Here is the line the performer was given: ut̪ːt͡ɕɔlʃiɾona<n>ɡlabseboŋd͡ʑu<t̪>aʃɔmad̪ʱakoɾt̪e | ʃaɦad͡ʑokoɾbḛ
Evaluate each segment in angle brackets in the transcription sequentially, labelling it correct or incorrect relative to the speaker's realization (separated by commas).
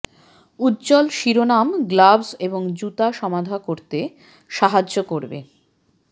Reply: incorrect, correct